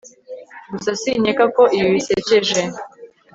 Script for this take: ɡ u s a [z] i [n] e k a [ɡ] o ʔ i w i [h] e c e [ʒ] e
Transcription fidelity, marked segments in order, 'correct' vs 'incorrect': incorrect, incorrect, incorrect, incorrect, correct

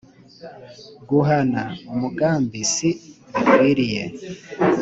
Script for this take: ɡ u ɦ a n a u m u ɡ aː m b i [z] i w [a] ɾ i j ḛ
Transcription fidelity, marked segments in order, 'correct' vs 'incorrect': incorrect, incorrect

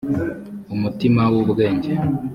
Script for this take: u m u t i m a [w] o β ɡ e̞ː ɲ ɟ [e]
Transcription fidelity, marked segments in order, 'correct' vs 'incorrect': correct, correct

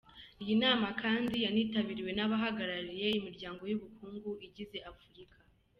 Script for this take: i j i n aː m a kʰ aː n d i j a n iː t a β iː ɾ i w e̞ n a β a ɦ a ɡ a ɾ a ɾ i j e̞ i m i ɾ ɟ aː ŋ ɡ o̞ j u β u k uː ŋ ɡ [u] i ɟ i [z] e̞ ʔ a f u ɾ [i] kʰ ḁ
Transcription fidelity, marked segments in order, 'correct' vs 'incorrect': correct, correct, correct

